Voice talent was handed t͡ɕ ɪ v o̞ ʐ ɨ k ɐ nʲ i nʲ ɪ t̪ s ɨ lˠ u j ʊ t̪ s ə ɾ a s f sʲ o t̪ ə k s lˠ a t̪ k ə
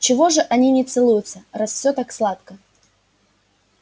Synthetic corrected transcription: t͡ɕ ɪ v o̞ ʐ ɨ ʔ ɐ nʲ i nʲ ɪ t̪ s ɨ lˠ u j ʊ t̪ s ə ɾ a s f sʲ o t̪ a k s lˠ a t̪ k ə